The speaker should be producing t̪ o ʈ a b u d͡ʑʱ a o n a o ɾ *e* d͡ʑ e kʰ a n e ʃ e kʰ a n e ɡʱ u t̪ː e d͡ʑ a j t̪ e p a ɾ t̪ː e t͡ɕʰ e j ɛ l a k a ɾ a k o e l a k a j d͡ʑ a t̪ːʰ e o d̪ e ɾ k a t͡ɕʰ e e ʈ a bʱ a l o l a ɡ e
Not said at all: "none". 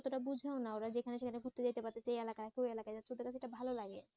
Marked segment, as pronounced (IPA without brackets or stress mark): a